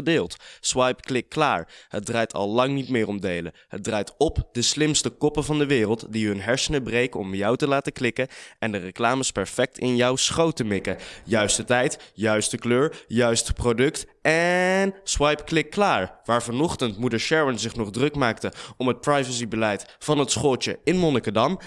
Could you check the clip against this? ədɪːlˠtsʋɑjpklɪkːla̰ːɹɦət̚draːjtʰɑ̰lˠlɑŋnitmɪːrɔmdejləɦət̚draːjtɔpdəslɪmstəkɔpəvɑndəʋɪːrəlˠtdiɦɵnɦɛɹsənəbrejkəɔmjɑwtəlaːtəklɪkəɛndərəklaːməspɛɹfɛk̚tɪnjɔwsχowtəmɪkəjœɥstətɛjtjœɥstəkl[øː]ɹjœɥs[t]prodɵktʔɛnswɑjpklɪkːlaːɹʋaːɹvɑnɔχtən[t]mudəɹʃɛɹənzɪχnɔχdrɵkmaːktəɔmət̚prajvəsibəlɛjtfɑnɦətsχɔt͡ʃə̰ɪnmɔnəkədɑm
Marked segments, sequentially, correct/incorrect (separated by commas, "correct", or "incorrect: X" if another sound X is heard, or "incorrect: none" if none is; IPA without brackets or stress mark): correct, correct, correct